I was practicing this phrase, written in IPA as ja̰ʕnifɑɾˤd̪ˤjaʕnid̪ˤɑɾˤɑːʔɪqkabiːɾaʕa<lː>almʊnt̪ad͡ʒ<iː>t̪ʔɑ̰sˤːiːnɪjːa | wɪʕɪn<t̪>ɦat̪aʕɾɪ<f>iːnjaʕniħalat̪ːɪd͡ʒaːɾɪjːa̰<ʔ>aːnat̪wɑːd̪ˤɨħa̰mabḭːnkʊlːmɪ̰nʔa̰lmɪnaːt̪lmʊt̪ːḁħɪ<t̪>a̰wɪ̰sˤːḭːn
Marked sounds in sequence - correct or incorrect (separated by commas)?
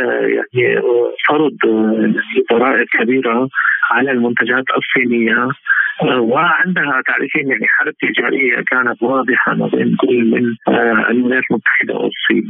incorrect, incorrect, incorrect, correct, incorrect, incorrect